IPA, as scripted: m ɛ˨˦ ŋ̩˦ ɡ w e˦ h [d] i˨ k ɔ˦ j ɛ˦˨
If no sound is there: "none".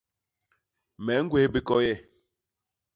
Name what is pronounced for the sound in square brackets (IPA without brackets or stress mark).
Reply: b